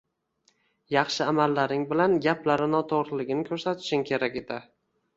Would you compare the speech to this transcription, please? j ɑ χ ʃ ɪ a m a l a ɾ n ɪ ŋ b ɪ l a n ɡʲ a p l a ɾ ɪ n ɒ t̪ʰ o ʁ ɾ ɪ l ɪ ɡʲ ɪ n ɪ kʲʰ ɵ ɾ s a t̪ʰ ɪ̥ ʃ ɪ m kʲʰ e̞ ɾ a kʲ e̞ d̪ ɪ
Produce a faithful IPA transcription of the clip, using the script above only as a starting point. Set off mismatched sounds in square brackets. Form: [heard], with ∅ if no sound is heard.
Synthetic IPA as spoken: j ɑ χ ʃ ɪ a m a [lː] a ɾ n ɪ ŋ b ɪ l a n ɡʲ a p l a ɾ ɪ n ɒ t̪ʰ o ʁ ɾ ɪ l ɪ ɡʲ ɪ n ɪ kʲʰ ɵ ɾ s a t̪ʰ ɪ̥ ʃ ɪ [ŋ] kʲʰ e̞ ɾ a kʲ e̞ d̪ ɪ